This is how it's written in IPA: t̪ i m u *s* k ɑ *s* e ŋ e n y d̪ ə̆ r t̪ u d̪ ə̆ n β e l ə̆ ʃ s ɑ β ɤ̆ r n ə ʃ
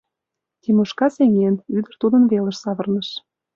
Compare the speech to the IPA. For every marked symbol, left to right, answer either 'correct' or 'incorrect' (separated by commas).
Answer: incorrect, correct